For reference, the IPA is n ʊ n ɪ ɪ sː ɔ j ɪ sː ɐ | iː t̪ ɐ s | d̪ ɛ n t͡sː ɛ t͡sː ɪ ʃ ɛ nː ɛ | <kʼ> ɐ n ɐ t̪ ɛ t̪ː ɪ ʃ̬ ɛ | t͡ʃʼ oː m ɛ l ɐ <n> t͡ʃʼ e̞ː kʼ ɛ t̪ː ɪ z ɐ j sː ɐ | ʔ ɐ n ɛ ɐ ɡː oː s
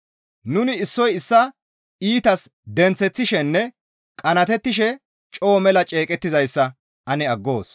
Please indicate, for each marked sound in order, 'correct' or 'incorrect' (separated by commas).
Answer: correct, incorrect